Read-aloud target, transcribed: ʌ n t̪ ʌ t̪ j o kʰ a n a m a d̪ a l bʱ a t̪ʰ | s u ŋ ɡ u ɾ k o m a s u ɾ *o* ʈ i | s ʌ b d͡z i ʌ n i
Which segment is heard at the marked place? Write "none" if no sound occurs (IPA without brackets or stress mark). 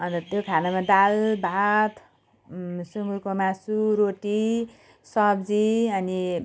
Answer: o